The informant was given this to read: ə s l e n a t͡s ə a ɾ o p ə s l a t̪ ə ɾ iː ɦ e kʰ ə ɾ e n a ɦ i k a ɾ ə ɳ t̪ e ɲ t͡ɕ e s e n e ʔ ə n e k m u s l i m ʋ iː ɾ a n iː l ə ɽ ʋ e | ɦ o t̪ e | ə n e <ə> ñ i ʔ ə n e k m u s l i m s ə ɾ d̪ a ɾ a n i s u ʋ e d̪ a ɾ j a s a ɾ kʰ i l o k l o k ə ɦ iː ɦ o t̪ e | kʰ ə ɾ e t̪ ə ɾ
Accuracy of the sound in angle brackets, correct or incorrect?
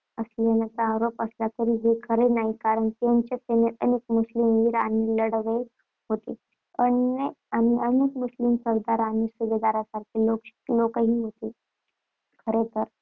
incorrect